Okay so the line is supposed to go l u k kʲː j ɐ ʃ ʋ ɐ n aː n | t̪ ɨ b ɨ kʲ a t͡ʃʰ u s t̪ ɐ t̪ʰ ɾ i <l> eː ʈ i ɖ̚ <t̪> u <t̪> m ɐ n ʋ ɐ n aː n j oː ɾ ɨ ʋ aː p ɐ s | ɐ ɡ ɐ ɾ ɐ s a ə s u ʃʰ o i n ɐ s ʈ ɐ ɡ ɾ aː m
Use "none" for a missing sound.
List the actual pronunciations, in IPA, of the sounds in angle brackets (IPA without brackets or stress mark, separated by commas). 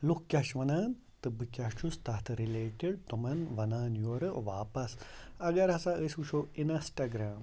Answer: l, t̪, none